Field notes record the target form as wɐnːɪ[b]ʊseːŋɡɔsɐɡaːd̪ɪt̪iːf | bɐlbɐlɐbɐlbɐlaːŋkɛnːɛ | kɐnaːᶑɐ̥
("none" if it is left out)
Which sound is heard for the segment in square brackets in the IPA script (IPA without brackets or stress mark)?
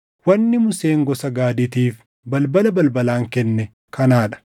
m